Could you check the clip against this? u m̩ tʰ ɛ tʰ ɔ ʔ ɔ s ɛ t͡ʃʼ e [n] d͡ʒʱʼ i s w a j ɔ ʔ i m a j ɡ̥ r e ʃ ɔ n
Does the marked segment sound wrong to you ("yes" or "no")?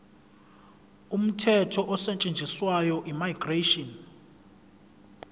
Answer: no